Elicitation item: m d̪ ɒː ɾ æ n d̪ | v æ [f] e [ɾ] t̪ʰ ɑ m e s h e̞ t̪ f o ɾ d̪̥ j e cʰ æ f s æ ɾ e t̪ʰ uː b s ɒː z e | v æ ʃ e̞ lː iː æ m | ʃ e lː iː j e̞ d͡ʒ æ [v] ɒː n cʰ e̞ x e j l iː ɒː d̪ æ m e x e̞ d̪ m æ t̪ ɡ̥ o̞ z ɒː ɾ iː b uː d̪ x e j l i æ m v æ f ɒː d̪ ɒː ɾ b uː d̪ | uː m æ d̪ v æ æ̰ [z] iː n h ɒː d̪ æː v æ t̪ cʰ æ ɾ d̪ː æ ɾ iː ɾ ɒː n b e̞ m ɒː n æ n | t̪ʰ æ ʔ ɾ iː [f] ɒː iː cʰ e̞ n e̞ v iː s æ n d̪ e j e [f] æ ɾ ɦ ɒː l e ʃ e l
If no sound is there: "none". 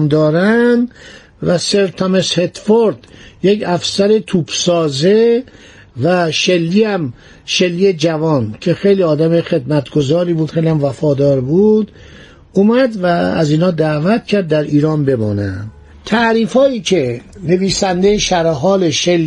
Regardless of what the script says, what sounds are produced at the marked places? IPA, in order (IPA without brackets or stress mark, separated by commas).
s, ɾ, v, z, f, ʃ